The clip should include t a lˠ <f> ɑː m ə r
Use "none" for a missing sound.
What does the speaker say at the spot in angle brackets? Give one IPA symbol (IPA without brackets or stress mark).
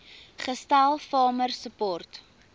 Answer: f